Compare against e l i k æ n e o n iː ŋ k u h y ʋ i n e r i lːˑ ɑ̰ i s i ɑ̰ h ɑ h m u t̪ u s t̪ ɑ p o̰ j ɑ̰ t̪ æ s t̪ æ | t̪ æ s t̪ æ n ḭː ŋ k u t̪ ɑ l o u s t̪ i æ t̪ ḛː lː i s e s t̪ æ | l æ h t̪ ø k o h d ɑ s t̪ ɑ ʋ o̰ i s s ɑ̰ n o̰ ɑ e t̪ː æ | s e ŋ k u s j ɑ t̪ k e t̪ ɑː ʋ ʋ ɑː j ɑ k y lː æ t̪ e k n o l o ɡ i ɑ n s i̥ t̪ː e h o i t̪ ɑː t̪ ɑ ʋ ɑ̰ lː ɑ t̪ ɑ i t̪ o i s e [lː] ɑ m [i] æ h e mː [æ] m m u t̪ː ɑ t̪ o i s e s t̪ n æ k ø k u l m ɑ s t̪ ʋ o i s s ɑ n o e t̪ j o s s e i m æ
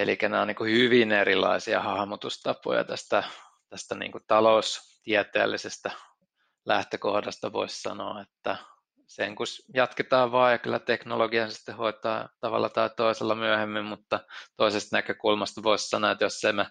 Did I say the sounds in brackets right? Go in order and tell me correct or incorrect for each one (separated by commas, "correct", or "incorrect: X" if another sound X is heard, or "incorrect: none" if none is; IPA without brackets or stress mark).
correct, incorrect: y, incorrect: i